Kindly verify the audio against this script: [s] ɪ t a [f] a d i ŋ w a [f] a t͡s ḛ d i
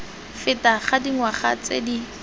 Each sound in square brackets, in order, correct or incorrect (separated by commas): incorrect, incorrect, incorrect